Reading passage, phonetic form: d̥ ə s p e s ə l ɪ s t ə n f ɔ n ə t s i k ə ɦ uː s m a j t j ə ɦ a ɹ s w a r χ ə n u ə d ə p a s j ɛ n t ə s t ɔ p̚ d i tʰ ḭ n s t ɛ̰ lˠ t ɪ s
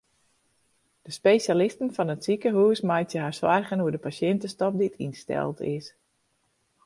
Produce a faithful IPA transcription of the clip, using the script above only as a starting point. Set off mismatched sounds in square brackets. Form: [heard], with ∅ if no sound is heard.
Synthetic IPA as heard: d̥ ə s p e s [a] l ɪ s t ə n f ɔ n ə t s i k ə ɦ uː s m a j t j ə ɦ a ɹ s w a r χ ə n u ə d ə p a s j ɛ n t ə s t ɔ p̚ d i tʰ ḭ n s t ɛ̰ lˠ t ɪ s

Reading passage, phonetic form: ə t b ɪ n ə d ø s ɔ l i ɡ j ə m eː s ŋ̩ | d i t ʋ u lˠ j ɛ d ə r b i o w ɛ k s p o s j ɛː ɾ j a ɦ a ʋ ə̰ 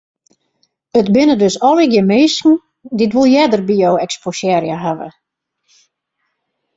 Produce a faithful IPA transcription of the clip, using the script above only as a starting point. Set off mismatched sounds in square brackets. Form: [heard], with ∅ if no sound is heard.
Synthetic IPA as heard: ə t b ɪ n ə d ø s ɔ l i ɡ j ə m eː s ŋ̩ | d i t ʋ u lˠ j ɛ d ə r b i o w ɛ k s p o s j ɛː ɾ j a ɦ a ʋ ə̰

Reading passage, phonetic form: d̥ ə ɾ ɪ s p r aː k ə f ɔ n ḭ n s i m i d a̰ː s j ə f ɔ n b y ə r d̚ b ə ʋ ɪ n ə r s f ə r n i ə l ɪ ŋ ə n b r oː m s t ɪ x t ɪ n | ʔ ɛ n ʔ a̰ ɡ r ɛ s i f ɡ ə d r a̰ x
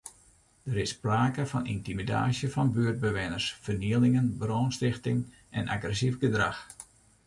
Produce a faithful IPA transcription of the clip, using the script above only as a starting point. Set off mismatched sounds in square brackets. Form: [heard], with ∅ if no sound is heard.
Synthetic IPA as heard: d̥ ə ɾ ɪ s p r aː k ə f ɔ n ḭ n [t] i m i d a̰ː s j ə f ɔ n b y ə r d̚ b ə ʋ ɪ n ə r s f ə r n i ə l ɪ ŋ ə n b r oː [n] s t ɪ x t ɪ [ŋ] | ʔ ɛ n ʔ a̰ ɡ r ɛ s i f ɡ ə d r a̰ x

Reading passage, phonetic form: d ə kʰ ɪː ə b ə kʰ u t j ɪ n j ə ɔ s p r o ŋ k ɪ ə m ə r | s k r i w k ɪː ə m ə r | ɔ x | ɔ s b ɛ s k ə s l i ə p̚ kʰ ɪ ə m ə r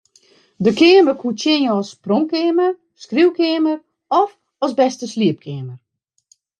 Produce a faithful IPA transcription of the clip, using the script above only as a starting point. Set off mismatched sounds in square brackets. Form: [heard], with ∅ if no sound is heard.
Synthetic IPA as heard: d ə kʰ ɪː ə [m] ə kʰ u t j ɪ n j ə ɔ s p r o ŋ k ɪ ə m ə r | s k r i w k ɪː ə m ə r | ɔ [f] | ɔ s b ɛ s [t] ə s l i ə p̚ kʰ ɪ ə m ə r

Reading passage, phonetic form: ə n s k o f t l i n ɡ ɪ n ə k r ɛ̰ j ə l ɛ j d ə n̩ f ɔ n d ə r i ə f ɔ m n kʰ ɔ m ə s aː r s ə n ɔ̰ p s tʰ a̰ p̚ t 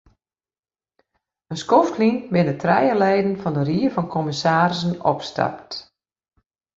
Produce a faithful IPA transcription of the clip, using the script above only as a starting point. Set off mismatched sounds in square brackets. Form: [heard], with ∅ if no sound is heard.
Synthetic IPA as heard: ə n s k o f t l i n [b] ɪ n ə [t] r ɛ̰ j ə l ɛ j d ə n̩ f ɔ n d ə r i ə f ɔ [∅] n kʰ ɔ m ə s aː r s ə n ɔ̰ p s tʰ a̰ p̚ t

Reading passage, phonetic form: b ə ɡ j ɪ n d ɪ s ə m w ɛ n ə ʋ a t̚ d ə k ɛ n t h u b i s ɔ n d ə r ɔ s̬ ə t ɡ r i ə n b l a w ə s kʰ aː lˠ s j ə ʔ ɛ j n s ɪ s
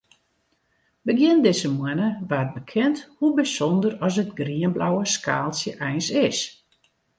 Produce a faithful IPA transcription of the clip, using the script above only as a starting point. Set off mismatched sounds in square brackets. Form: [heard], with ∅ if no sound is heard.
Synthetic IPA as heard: b ə ɡ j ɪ n d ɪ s ə m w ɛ n ə ʋ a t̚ [b] ə [kʰ] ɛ n t h u b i s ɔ n d ə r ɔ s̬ ə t ɡ r i ə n b l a w ə s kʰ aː lˠ s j ə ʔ ɛ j n s ɪ s

